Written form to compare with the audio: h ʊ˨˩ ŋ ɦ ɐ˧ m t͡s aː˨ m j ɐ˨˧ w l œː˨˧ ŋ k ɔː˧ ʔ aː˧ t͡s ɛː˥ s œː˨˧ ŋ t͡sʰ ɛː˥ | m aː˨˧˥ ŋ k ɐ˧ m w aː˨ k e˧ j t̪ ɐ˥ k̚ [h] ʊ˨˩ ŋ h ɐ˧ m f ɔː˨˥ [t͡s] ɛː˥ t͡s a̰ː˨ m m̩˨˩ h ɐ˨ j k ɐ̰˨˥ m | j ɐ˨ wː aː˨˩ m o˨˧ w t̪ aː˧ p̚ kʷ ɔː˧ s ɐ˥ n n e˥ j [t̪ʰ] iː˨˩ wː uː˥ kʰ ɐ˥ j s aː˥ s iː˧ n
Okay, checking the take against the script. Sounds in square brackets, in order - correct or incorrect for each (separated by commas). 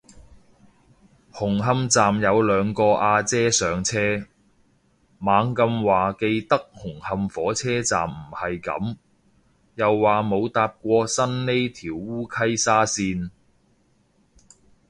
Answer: correct, incorrect, correct